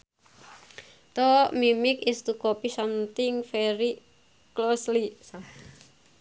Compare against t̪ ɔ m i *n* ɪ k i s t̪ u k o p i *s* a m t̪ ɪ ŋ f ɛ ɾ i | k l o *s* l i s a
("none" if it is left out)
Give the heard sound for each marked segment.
m, s, s

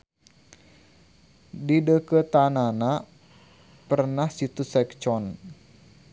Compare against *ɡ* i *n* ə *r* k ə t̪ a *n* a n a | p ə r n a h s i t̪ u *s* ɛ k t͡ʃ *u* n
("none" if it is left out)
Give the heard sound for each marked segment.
d, d, none, n, s, ɔ

